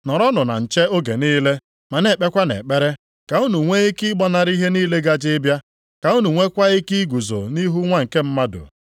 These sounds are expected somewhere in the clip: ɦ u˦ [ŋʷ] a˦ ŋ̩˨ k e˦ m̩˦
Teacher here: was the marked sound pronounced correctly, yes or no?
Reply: yes